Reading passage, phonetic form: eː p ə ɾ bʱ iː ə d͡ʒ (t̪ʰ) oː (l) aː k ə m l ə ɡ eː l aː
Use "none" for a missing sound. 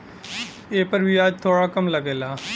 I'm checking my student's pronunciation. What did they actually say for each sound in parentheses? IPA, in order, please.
t̪ʰ, ɽ

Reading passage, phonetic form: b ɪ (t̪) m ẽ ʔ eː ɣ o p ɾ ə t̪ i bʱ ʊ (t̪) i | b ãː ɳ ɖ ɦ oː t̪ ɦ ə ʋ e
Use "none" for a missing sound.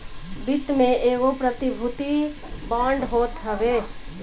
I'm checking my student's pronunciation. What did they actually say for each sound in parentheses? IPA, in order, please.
t̪, t̪

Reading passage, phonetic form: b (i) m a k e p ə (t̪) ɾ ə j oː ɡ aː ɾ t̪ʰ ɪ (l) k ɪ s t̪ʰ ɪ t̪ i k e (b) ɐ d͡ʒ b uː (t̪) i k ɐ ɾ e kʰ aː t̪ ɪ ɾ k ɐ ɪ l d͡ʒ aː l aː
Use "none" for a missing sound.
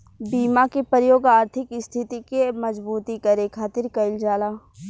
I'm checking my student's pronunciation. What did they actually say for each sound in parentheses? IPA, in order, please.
iː, none, none, m, t̪

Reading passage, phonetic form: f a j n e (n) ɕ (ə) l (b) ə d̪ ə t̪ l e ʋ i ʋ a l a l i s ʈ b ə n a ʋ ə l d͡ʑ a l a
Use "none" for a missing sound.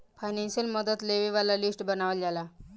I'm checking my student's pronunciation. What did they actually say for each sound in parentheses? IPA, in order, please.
n, ə, m

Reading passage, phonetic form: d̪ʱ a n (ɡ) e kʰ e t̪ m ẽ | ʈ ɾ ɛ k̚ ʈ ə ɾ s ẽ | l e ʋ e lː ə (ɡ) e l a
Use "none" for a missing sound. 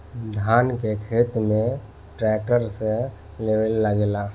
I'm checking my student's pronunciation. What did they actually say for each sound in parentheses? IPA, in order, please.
k, ɡ

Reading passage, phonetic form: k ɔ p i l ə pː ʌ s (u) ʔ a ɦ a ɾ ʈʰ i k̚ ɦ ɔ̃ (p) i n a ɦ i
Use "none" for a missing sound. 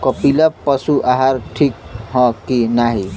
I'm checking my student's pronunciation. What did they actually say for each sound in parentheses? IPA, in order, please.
u, k

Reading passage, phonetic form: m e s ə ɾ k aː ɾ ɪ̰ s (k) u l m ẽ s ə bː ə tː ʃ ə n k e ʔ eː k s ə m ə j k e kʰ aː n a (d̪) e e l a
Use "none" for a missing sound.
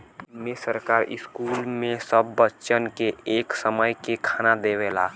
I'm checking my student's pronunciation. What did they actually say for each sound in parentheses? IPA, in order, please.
k, d̪

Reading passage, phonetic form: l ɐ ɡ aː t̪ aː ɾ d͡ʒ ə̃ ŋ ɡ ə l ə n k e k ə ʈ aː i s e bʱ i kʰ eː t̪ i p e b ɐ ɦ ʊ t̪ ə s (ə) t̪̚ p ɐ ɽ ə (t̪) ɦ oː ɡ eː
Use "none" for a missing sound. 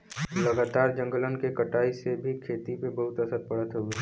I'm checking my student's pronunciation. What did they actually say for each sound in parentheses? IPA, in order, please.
ə, t̪

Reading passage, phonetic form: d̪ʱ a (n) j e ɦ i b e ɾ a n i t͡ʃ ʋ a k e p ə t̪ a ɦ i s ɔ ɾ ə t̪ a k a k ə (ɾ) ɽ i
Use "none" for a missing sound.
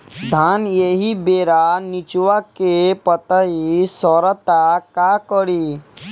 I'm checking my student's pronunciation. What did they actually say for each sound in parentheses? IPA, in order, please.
n, none

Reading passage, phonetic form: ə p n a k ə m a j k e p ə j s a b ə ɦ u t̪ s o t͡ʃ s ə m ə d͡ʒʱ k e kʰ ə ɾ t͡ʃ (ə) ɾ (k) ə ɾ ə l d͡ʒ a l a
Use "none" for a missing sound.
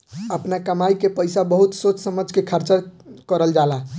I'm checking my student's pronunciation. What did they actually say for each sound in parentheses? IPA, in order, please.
ə, k

